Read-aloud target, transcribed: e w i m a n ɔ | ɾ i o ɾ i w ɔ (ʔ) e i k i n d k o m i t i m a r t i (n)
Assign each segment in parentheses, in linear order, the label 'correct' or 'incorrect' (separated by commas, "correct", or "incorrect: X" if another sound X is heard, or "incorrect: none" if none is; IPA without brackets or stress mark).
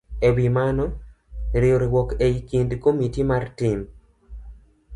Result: incorrect: k, incorrect: m